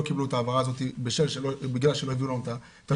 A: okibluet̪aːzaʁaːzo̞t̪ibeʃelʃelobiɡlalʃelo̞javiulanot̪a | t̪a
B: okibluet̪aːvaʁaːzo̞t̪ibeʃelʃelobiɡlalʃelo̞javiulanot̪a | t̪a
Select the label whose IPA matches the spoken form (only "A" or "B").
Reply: B